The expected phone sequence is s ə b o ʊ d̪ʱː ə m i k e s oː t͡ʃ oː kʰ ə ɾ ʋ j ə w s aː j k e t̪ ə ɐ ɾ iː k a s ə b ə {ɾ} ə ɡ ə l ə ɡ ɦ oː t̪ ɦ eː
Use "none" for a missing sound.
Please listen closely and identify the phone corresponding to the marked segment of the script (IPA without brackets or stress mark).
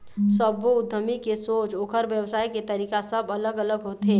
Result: l